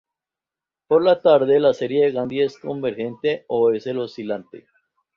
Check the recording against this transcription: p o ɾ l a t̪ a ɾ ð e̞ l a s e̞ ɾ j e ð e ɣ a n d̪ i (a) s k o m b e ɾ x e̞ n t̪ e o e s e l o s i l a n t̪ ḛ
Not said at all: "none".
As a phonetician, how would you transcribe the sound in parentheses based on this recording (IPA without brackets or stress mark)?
e